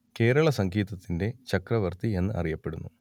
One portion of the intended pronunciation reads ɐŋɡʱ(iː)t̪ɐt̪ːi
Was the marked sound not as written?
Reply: no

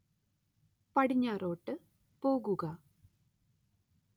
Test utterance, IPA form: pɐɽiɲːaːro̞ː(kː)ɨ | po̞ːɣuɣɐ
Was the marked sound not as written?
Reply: yes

